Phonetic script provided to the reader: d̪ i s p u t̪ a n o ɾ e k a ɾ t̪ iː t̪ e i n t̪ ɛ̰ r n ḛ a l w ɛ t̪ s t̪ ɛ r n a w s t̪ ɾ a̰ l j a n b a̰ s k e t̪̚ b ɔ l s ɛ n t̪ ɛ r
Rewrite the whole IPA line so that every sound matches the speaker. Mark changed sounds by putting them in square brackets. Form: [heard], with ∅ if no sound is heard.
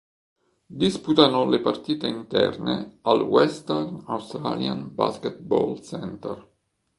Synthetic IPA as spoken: d̪ i s p u t̪ a n o [l] e [p] a [r] t̪ iː t̪ e i n t̪ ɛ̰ r n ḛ a l w ɛ [∅] s t̪ ɛ r n a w s t̪ ɾ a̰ l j a n b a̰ s k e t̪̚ b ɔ l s ɛ n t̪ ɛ r